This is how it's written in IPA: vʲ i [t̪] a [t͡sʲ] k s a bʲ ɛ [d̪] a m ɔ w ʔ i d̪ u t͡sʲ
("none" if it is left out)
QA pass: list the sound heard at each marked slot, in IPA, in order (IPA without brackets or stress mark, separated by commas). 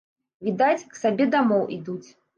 d̪, t͡sʲ, d̪